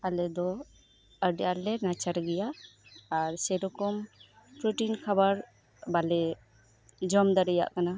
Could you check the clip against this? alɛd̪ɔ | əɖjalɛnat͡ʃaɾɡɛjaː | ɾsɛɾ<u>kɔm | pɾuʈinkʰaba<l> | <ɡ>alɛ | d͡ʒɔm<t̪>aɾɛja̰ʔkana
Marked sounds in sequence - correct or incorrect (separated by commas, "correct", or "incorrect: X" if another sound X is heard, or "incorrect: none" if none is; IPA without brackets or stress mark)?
incorrect: ɔ, incorrect: ɾ, incorrect: b, incorrect: d̪